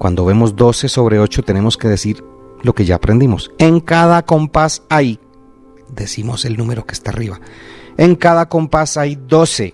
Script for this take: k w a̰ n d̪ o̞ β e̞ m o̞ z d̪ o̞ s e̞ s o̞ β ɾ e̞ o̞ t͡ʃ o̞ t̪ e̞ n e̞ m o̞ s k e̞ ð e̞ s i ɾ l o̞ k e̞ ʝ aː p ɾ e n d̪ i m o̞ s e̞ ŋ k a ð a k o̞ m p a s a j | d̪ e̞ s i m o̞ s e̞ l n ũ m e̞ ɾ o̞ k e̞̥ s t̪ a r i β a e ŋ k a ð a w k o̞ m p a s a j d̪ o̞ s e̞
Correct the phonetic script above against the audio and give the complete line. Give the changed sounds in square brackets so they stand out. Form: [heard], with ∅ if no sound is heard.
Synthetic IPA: k w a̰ n d̪ o̞ β e̞ m o̞ z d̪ o̞ s e̞ s o̞ β ɾ e̞ o̞ t͡ʃ o̞ t̪ e̞ n e̞ m o̞ s k e̞ ð e̞ s i ɾ l o̞ k e̞ ʝ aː p ɾ e n d̪ i m o̞ s e̞ ŋ k a ð a k o̞ m p a s a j | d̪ e̞ s i m o̞ s e̞ l n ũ m e̞ ɾ o̞ k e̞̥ s t̪ a r i β a e ŋ k a ð a [∅] k o̞ m p a s a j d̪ o̞ s e̞